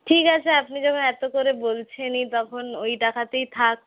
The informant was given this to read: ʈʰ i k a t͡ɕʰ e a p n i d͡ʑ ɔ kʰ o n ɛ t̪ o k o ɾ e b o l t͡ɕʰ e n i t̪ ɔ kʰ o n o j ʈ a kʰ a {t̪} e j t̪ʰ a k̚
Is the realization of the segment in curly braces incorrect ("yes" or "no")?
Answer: no